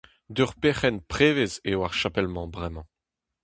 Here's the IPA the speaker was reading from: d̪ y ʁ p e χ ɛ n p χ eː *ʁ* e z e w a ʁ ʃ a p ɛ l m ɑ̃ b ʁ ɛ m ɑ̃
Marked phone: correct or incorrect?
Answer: incorrect